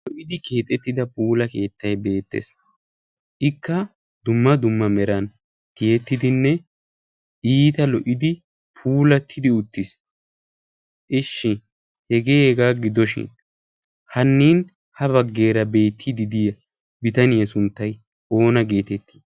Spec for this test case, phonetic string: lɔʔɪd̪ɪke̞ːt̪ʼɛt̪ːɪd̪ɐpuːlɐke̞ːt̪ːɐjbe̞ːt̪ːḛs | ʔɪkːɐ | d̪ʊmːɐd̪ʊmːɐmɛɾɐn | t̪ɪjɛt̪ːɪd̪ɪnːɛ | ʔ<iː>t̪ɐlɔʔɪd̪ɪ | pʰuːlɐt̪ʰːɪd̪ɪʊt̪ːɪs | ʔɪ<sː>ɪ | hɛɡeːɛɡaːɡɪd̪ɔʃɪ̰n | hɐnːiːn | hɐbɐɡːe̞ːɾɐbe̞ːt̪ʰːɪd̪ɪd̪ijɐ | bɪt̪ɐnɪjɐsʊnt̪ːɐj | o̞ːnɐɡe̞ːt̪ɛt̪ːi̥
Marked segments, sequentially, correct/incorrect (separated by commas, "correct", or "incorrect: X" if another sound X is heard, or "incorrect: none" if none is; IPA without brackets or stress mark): correct, incorrect: ʃː